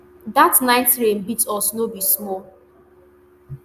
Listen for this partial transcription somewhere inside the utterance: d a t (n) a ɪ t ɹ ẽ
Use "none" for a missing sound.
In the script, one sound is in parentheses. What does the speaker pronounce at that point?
n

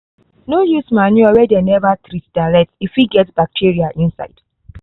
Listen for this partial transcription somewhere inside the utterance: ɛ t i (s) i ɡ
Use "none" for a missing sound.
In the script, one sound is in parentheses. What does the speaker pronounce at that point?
f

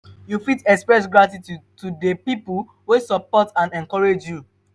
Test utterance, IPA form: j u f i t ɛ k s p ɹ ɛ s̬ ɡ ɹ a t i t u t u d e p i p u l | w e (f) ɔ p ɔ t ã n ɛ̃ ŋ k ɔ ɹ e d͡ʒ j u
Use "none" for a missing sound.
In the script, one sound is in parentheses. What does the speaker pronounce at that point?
s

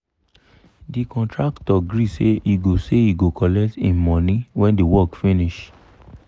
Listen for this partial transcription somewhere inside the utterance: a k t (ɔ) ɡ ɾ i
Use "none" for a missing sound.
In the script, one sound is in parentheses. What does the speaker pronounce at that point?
ɔ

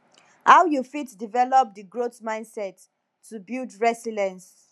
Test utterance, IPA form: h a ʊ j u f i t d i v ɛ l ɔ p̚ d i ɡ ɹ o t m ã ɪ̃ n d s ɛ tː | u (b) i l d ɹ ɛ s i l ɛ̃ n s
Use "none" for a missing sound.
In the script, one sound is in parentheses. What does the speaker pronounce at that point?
b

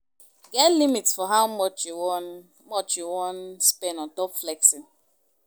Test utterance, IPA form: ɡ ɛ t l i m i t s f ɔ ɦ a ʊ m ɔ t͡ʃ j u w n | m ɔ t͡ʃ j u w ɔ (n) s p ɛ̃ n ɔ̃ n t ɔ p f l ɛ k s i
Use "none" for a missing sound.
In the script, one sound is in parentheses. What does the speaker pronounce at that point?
n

